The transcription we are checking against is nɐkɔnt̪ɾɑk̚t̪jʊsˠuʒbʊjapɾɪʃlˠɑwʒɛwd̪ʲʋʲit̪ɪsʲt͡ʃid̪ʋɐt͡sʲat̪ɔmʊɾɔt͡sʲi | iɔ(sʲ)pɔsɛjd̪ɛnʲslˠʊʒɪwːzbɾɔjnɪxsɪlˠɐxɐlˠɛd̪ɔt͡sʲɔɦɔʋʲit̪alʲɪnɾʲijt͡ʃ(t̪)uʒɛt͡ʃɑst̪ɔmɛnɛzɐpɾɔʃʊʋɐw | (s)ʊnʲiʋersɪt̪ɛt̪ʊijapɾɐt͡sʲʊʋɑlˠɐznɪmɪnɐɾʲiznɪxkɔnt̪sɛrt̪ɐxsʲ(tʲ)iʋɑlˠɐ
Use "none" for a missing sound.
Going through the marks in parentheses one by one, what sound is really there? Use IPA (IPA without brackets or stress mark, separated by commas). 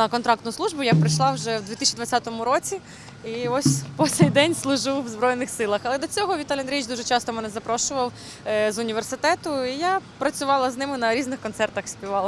sʲ, d̪, z, pʲ